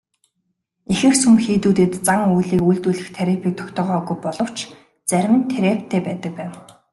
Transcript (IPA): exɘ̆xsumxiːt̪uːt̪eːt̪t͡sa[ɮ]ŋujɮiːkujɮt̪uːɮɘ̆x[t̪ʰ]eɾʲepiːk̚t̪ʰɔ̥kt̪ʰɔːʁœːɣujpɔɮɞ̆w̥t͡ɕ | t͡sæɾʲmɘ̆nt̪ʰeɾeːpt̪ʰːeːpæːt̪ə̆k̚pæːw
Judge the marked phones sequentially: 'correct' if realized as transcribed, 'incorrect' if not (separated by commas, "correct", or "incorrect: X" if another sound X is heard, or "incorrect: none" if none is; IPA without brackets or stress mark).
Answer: incorrect: none, correct